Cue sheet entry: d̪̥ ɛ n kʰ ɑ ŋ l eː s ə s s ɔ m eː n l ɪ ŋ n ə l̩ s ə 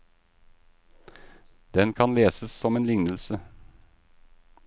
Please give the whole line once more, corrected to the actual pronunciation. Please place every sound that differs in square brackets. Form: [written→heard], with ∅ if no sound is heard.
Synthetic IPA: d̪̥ ɛ n kʰ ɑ [ŋ→n] l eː s ə s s ɔ m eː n l ɪ ŋ n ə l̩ s ə